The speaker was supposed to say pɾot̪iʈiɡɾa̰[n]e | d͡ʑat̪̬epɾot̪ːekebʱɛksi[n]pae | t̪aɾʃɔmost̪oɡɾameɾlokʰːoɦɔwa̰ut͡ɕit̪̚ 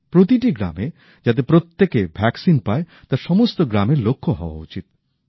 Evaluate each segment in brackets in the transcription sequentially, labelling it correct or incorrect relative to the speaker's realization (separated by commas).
incorrect, correct